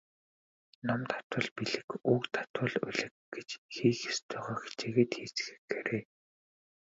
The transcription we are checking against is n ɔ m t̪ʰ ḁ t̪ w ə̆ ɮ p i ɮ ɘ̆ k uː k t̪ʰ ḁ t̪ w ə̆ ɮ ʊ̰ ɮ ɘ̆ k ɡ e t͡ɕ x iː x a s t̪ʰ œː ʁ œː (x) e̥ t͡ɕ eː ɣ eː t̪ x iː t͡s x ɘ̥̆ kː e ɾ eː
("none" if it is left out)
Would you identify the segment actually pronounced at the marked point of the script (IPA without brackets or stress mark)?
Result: x